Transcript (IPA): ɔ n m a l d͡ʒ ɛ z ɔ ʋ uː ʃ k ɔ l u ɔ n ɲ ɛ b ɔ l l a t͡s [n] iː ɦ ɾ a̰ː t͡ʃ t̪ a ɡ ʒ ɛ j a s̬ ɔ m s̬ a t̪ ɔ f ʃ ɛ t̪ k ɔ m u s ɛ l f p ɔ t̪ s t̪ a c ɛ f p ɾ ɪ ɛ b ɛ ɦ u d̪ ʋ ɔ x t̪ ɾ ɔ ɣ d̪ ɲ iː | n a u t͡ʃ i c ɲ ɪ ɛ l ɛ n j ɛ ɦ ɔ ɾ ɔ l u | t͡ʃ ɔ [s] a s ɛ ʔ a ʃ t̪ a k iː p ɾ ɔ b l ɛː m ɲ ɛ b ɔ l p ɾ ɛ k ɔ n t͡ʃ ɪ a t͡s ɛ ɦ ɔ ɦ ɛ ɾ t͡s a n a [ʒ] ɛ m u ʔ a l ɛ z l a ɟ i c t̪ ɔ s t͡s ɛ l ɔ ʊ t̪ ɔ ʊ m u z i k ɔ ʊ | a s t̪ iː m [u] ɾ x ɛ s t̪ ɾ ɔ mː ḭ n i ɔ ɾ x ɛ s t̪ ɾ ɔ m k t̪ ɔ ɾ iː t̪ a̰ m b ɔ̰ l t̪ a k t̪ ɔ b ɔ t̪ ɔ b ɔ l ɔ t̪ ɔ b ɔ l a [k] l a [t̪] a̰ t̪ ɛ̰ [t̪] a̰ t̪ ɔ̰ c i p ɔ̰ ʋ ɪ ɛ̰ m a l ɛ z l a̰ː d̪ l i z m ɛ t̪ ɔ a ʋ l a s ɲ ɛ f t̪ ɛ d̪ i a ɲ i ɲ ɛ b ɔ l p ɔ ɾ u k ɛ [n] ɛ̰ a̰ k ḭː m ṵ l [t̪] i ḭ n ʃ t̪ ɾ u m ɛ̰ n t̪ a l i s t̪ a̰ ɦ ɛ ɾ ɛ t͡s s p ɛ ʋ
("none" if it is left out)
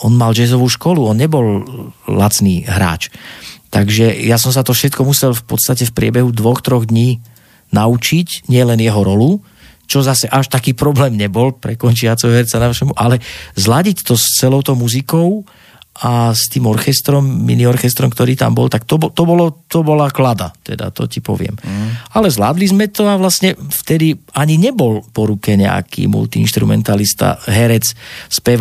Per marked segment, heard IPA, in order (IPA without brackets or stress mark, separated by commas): n, z, ʃ, ɔ, k, d̪, d̪, ɲ, t̪